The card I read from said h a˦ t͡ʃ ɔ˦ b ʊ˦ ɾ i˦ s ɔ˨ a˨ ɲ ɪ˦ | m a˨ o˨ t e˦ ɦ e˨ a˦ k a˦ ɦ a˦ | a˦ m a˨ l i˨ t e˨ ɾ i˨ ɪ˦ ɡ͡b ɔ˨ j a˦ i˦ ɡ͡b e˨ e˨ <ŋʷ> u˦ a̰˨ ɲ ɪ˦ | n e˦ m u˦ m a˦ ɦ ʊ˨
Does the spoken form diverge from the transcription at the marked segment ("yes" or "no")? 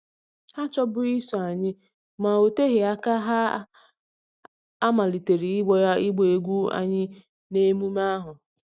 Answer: yes